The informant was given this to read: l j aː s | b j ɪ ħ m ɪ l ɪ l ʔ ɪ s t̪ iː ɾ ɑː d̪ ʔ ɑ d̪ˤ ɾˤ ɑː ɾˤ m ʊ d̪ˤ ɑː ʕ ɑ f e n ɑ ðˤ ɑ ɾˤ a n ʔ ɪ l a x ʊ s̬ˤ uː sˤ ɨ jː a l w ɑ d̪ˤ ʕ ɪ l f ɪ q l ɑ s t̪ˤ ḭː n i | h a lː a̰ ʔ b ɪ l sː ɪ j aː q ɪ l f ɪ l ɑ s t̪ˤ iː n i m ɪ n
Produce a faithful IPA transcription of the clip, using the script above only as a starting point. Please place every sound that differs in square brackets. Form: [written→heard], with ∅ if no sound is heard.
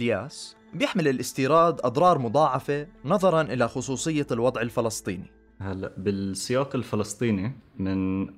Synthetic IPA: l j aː s | b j ɪ ħ m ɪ l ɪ l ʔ ɪ s t̪ iː ɾ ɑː d̪ ʔ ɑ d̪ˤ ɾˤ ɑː ɾˤ m ʊ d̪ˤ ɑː ʕ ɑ f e n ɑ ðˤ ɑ ɾˤ [a→ɑ] n ʔ ɪ l a x ʊ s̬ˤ uː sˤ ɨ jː a l w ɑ d̪ˤ ʕ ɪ l f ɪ [q→∅] l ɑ s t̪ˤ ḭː n i | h a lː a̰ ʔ b ɪ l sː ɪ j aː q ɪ l f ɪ l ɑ s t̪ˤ iː n i m ɪ n